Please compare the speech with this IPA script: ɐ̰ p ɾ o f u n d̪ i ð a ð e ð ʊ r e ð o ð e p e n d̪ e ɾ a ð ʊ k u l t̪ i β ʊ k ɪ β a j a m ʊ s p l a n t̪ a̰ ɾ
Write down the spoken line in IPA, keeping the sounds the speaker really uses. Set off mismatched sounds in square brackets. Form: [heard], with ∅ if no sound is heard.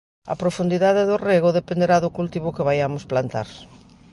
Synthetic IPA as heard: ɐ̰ p ɾ o f u n d̪ i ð a ð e ð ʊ r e [ɣ] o ð e p e n d̪ e ɾ a ð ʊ k u l t̪ i β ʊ k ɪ β a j a m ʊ s p l a n t̪ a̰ ɾ